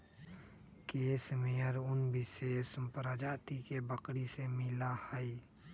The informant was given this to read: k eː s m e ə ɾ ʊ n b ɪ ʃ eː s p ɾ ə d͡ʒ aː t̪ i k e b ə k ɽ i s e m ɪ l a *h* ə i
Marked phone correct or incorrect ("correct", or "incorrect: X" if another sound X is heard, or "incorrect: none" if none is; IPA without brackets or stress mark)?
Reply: correct